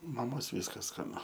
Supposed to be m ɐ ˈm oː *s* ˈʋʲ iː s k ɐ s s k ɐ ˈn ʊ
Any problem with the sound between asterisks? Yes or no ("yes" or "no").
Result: no